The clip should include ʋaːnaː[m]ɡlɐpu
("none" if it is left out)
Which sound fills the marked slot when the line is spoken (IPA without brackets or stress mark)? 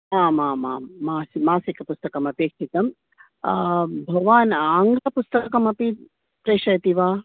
ŋ